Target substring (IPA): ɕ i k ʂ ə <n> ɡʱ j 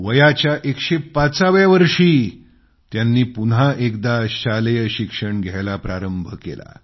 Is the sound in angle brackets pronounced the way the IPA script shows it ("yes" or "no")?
no